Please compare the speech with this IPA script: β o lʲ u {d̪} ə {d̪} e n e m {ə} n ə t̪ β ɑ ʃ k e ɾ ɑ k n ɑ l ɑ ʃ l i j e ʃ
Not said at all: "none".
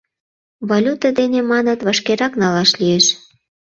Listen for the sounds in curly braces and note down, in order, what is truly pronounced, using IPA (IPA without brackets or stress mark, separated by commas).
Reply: t̪, d̪, ɑ